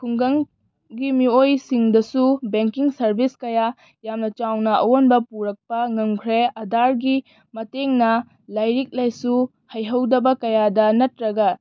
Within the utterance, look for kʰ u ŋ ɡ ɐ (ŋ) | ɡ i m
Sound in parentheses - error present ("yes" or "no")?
no